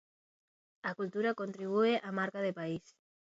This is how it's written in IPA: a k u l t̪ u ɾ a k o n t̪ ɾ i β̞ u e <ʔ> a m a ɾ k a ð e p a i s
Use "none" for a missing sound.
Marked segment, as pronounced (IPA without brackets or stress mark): ʔ